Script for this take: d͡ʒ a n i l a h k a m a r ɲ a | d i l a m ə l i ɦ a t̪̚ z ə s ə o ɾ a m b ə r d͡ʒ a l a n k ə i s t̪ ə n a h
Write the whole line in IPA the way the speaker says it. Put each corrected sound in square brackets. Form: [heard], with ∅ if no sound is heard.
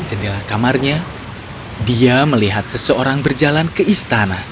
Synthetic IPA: d͡ʒ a n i l a h k a m a r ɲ a | d i [∅] a m ə l i ɦ a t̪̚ [s] ə s ə o ɾ a [ŋ] b ə r d͡ʒ a l a n k ə i s t̪ [a] n a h